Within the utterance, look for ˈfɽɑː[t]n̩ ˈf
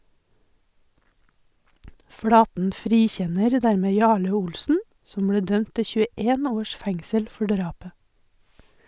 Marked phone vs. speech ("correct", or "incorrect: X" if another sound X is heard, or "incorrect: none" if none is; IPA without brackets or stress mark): correct